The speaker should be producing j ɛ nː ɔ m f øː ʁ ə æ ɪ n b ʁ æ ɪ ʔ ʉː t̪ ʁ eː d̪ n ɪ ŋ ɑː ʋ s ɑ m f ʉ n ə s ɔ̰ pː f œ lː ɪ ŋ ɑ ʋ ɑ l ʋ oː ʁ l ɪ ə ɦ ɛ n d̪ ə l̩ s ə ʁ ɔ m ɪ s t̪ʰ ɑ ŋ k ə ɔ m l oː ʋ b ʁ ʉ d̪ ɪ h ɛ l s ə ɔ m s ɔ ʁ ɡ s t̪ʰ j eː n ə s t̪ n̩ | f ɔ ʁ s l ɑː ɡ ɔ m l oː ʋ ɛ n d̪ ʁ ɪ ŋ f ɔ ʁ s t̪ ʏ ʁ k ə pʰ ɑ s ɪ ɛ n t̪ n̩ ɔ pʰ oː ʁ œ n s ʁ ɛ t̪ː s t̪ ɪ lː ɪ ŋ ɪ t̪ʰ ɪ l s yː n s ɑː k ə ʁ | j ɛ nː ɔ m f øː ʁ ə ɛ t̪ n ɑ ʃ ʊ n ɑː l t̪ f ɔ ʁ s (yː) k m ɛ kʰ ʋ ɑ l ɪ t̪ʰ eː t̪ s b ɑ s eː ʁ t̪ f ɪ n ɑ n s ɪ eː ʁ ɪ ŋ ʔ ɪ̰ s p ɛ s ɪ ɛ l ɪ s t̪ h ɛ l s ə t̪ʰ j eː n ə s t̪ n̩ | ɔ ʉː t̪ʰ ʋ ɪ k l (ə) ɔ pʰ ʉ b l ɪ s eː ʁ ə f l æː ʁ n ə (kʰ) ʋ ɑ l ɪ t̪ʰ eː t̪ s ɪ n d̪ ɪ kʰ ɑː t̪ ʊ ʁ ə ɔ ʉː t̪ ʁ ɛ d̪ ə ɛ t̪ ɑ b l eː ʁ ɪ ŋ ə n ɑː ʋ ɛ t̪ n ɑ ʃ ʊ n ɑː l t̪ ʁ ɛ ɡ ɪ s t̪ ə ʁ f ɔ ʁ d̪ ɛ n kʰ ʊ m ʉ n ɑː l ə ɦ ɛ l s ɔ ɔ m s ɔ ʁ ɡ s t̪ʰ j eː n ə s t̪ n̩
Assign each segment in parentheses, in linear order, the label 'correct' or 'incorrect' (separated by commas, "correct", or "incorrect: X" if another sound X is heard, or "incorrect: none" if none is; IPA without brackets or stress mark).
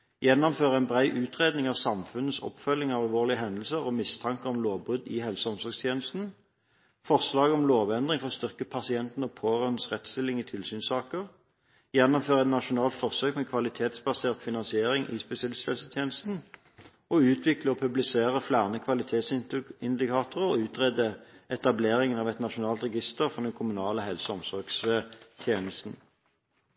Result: incorrect: øː, correct, correct